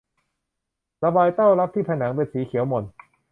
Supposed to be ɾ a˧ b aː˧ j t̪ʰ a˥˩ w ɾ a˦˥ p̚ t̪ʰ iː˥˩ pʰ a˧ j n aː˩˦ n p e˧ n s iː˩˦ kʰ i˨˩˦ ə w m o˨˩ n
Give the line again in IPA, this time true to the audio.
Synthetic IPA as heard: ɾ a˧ b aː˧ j t̪ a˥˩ w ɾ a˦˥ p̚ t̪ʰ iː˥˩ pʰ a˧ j n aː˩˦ ŋ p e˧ n s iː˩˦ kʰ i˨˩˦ ə w m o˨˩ n